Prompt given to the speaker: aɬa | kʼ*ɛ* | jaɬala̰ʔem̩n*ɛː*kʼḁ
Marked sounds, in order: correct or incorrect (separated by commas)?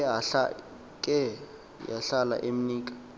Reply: correct, incorrect